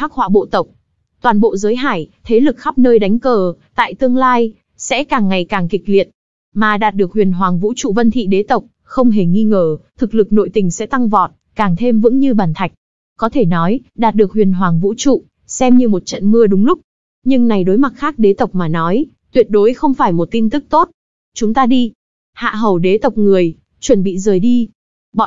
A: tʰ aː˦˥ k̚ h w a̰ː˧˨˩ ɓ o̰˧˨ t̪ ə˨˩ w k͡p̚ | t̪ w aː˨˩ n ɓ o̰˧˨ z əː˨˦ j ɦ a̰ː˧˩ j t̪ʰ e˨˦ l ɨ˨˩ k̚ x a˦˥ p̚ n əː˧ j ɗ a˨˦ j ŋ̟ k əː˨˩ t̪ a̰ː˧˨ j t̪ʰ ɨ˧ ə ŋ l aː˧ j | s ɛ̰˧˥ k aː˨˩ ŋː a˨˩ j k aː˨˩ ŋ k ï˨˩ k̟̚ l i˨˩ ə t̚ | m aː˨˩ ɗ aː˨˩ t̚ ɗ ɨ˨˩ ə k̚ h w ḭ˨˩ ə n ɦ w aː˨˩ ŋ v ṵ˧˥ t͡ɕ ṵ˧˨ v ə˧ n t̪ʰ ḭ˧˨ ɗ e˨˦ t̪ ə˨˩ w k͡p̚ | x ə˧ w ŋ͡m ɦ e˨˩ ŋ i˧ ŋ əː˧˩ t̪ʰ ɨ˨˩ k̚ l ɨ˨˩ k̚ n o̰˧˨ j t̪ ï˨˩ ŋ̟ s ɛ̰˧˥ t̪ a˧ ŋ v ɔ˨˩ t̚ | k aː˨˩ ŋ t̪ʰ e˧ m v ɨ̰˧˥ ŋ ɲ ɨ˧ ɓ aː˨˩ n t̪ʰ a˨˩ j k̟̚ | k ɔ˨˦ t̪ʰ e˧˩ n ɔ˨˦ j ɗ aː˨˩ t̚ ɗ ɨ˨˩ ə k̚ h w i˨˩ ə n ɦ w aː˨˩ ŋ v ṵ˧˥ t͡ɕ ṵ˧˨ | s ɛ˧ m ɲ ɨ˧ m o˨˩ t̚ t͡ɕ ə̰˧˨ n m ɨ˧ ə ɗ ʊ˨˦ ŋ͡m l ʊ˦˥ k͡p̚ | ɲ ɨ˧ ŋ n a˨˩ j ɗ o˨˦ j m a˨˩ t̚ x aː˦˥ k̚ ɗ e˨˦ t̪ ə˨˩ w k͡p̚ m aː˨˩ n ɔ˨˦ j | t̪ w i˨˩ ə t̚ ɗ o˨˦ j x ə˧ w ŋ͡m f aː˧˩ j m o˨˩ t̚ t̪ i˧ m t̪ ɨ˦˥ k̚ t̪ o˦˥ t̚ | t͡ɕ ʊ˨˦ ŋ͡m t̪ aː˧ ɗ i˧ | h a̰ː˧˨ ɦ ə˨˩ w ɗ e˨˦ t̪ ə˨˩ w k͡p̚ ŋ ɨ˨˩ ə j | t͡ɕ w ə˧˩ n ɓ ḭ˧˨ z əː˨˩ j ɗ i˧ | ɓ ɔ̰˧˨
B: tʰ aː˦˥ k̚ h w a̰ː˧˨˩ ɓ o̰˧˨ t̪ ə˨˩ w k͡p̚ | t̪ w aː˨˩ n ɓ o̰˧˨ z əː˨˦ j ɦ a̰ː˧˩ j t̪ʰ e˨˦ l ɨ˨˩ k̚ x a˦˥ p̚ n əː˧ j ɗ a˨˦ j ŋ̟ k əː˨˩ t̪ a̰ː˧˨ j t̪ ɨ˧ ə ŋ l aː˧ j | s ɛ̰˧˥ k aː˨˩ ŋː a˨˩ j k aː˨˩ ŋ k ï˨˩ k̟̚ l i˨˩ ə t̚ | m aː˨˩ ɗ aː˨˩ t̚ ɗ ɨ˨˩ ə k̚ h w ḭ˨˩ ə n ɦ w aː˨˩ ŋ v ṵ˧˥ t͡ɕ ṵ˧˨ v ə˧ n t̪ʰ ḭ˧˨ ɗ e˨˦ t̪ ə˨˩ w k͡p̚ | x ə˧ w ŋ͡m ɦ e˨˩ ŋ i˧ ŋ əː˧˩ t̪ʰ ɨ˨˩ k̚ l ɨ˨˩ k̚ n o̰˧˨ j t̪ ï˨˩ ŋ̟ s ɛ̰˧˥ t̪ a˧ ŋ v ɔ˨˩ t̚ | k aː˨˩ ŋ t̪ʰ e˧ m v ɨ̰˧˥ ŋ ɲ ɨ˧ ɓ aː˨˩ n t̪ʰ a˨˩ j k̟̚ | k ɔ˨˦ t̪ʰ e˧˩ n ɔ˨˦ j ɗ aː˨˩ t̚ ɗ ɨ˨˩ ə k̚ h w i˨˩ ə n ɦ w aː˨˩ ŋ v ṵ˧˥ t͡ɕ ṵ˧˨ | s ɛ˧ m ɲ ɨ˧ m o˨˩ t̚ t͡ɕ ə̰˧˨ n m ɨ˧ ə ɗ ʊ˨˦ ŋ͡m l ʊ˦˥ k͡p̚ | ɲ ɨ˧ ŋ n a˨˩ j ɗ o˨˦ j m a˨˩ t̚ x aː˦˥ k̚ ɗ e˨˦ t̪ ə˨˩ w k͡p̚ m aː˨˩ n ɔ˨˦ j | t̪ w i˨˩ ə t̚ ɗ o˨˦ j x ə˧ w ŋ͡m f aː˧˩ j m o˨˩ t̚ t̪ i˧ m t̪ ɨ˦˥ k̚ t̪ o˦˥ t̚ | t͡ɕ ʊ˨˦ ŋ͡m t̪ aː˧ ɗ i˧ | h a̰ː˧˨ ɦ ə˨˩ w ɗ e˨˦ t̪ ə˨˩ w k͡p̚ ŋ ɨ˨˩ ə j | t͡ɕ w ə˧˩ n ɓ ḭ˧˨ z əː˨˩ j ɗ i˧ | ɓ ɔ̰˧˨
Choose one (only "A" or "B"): B